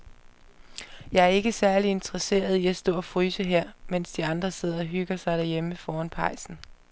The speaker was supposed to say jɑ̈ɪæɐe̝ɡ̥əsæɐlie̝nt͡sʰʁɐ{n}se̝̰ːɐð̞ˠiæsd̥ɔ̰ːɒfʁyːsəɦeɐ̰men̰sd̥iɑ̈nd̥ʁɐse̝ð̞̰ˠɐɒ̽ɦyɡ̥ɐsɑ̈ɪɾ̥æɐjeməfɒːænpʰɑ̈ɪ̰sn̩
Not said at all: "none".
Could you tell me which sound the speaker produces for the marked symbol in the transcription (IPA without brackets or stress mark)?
none